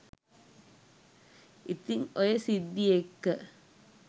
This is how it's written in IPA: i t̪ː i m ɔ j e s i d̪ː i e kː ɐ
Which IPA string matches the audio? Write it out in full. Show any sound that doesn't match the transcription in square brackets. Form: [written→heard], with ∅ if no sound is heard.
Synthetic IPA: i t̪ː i [m→ŋ] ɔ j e s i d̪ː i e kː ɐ